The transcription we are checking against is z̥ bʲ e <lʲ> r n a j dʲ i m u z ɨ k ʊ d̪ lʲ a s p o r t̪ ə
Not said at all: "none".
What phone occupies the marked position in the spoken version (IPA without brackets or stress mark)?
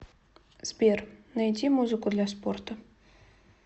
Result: none